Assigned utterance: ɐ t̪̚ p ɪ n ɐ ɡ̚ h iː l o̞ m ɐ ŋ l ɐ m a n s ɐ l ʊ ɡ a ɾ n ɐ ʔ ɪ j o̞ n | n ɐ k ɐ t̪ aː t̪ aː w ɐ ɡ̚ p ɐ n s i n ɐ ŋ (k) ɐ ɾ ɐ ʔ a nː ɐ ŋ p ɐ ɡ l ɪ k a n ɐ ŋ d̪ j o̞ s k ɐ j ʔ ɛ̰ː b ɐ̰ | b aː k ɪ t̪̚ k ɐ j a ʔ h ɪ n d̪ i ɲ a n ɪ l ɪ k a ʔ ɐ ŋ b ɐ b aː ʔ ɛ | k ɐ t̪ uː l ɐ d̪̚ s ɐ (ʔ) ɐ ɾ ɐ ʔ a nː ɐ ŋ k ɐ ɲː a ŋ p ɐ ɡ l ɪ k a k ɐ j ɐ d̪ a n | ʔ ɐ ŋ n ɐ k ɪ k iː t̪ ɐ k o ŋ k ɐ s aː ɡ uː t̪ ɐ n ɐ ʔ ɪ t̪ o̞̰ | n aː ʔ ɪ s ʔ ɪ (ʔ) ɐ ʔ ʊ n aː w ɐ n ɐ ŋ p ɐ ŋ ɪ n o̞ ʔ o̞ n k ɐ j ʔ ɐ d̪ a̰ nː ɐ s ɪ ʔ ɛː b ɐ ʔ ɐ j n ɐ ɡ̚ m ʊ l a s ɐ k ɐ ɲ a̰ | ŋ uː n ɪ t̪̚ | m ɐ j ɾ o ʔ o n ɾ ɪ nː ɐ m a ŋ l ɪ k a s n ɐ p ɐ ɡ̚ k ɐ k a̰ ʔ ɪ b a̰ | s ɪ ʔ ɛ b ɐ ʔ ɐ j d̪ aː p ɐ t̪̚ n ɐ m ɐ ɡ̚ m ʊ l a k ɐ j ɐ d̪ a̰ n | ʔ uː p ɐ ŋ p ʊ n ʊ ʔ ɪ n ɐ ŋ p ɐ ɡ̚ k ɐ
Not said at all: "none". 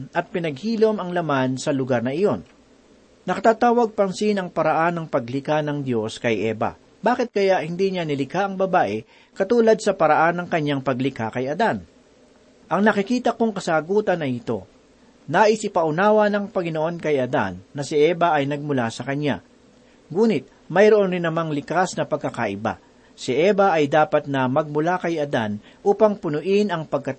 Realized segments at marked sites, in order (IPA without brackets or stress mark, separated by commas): p, p, p